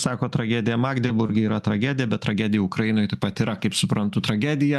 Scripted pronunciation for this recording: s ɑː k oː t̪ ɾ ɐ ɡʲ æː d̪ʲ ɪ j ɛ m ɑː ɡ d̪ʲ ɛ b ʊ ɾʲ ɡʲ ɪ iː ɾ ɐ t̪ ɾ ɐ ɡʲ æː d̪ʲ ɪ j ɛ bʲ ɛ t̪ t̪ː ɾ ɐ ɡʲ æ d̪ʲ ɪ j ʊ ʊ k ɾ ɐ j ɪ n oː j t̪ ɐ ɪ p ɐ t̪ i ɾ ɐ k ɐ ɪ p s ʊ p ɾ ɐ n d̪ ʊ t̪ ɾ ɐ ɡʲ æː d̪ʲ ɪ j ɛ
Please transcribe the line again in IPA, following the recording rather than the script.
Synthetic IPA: s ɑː k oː t̪ ɾ ɐ ɡʲ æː d̪ʲ ɪ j ɛ m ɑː ɡ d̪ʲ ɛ b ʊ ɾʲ ɡʲ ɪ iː ɾ ɐ t̪ ɾ ɐ ɡʲ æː d̪ʲ ɪ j ɛ bʲ ɛ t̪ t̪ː ɾ ɐ ɡʲ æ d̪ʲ ɪ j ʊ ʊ k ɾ ɐ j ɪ n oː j t̪ ɐ ɪ p ɐ t̪ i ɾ ɐ k ɐ ɪ p s ʊ p ɾ ɐ n t̪ ʊ t̪ ɾ ɐ ɡʲ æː d̪ʲ ɪ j ɛ